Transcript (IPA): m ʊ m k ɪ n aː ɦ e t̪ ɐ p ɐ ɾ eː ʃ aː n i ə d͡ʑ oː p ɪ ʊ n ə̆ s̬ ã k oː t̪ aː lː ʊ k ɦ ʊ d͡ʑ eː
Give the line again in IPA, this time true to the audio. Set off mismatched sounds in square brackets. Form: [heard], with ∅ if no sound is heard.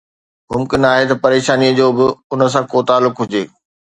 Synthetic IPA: m ʊ m k ɪ n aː ɦ e t̪ ɐ p ɐ ɾ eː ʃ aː n i ə d͡ʑ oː [b] ɪ ʊ n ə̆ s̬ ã k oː t̪ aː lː ʊ k ɦ ʊ d͡ʑ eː